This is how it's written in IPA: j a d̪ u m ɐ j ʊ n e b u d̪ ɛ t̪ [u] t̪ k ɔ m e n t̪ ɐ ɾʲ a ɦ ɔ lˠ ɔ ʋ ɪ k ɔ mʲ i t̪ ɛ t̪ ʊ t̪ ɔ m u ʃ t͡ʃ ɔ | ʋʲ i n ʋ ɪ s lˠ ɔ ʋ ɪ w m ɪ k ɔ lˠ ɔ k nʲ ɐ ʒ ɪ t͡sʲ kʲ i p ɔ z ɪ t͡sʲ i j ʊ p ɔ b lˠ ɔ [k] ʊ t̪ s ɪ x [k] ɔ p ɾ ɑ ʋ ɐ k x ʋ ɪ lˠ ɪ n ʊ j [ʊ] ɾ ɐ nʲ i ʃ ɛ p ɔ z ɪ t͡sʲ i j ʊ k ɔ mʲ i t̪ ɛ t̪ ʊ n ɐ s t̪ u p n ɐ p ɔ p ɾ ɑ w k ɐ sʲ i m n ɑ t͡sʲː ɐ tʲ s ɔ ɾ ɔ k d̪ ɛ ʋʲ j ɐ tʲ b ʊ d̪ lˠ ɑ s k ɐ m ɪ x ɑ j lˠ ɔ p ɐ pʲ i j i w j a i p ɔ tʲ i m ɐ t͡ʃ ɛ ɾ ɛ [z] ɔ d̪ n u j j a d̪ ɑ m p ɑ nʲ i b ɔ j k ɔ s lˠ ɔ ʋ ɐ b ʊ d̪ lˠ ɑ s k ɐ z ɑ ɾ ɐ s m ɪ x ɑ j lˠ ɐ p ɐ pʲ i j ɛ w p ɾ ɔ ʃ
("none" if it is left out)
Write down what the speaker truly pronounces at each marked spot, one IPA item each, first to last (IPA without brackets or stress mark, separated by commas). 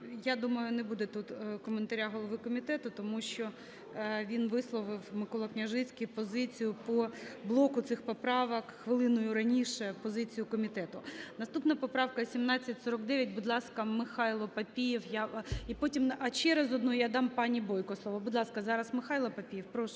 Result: u, k, p, ʊ, z